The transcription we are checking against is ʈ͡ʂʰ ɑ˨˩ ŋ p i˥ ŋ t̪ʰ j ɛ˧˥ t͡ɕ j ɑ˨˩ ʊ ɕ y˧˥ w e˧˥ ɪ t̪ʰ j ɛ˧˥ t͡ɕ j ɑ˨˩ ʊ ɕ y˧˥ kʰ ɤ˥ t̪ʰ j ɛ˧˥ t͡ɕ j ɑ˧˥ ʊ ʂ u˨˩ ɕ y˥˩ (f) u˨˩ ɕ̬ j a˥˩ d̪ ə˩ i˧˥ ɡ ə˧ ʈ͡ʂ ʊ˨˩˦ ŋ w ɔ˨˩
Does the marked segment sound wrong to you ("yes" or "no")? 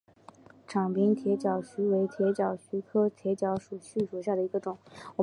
yes